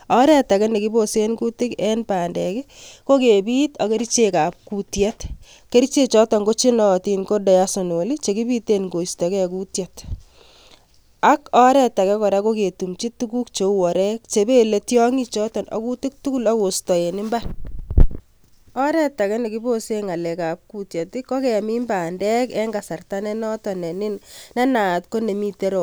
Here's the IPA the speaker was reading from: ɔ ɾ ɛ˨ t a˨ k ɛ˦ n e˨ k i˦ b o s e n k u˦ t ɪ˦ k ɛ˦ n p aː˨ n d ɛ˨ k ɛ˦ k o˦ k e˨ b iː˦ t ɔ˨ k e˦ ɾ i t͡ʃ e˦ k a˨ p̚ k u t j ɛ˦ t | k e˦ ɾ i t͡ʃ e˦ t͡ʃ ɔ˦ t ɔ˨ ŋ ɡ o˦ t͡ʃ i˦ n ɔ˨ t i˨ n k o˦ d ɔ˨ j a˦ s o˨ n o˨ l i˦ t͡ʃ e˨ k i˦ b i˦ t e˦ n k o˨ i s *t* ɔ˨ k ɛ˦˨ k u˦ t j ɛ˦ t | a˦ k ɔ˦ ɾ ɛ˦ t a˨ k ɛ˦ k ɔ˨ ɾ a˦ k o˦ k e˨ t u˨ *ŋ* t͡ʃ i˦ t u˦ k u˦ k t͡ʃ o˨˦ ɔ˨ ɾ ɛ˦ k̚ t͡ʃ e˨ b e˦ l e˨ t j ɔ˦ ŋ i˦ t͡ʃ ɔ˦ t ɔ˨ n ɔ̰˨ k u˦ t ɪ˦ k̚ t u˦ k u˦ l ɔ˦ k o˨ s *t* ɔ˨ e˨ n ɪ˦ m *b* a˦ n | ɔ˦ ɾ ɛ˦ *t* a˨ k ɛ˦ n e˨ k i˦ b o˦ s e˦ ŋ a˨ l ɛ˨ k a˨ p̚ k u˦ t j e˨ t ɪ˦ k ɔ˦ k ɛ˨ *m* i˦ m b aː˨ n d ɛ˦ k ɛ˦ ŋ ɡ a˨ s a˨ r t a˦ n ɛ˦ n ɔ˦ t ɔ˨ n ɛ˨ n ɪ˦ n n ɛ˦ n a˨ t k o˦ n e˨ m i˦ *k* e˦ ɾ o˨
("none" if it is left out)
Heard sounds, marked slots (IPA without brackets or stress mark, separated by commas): t, m, t, b, t, m, t